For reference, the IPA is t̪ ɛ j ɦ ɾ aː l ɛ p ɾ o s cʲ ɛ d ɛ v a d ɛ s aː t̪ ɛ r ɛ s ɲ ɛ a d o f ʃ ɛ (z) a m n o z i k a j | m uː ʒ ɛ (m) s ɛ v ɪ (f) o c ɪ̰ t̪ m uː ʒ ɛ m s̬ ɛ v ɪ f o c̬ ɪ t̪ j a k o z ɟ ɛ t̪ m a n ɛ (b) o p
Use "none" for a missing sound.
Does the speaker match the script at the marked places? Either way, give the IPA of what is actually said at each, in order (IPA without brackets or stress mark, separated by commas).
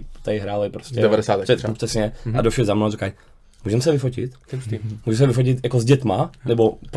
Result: z, m, f, b